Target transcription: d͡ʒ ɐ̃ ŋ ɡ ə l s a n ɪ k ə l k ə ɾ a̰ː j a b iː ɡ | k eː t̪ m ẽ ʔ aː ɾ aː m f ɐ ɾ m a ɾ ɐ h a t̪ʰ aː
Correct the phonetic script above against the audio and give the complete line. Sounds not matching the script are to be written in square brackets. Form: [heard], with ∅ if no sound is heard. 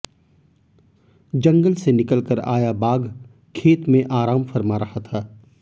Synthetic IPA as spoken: d͡ʒ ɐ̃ ŋ ɡ ə l s [e] n ɪ k ə l k ə ɾ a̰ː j a b [aː] ɡ | [kʰ] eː t̪ m ẽ ʔ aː ɾ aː m f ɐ ɾ m a ɾ ɐ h a t̪ʰ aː

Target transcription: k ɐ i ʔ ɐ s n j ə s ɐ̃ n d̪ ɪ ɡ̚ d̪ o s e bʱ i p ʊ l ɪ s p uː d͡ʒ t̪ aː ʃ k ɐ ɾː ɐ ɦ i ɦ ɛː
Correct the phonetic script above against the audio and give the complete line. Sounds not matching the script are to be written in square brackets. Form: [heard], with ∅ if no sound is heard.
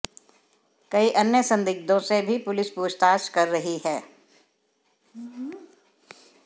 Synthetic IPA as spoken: k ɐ i ʔ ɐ [∅] n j ə s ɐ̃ n d̪ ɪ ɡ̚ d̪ [õ] s e bʱ i p ʊ l ɪ s p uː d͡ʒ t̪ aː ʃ k ɐ ɾː ɐ ɦ i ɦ ɛː

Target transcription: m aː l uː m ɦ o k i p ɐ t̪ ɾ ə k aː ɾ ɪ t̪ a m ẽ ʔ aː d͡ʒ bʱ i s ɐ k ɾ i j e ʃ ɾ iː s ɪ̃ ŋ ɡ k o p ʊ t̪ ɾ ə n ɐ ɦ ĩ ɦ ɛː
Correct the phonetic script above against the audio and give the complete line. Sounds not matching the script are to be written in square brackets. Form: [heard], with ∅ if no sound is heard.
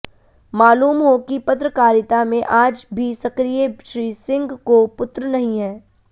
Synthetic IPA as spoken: m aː l uː m ɦ o k i p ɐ t̪ ɾ ə k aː ɾ ɪ t̪ a m ẽ ʔ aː d͡ʒ bʱ i s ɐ k ɾ i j e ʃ ɾ iː s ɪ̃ ŋ ɡ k o p ʊ t̪ ɾ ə n ɐ ɦ ĩ ɦ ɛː

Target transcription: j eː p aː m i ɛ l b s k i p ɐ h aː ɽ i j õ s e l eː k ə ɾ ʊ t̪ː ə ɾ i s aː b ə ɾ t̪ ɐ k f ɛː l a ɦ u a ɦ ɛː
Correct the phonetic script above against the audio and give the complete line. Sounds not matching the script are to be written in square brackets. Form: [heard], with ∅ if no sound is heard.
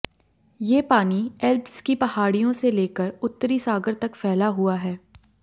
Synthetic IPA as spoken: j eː p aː [n] i ɛ l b s k i p ɐ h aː ɽ i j õ s e l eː k ə ɾ ʊ t̪ː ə ɾ i s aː [ɡ] ə ɾ t̪ ɐ k f ɛː l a ɦ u a ɦ ɛː

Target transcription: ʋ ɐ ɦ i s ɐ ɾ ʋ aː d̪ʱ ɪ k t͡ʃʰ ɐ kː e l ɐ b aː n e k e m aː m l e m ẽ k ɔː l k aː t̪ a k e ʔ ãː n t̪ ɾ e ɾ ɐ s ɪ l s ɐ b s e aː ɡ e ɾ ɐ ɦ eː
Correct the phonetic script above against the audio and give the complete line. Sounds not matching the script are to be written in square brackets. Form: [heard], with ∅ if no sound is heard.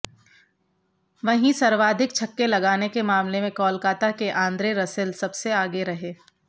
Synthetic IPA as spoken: ʋ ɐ ɦ [ĩ] s ɐ ɾ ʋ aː d̪ʱ ɪ k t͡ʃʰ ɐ kː e l ɐ [ɡ] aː n e k e m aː m l e m ẽ k ɔː l k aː t̪ a k e ʔ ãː n [d̪] ɾ e ɾ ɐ s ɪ l s ɐ b s e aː ɡ e ɾ ɐ ɦ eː

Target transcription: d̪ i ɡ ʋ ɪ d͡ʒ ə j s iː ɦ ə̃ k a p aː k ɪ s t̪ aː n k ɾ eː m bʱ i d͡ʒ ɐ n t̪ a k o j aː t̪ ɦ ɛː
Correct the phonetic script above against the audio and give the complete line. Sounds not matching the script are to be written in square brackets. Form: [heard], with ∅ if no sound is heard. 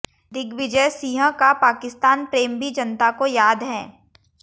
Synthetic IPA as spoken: d̪ [ɪ] ɡ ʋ ɪ d͡ʒ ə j s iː ɦ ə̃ k a p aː k ɪ s t̪ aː n [p] ɾ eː m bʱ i d͡ʒ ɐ n t̪ a k o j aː [d̪] ɦ ɛː

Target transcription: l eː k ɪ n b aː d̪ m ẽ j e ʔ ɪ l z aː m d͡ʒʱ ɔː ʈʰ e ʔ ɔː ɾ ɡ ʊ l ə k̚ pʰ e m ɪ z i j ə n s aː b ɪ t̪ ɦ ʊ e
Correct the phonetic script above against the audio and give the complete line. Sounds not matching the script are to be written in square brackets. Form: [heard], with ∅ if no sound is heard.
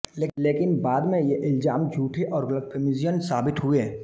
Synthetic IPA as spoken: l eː k ɪ n b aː d̪ m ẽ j e ʔ ɪ l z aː m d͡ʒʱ [uː] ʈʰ e ʔ ɔː ɾ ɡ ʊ l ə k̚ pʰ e m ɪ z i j ə n s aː b ɪ t̪ ɦ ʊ e

